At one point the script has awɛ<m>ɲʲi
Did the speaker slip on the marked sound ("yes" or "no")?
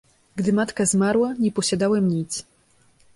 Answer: no